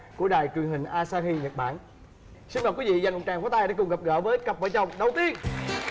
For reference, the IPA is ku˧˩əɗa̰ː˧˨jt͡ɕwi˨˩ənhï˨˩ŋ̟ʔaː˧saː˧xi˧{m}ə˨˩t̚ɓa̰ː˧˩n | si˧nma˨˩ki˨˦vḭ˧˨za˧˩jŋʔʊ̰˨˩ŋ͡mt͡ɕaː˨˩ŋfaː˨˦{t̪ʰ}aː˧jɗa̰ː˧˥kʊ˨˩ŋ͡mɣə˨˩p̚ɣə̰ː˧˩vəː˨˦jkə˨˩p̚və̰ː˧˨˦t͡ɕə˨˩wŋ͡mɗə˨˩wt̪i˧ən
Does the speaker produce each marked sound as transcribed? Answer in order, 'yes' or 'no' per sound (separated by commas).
no, no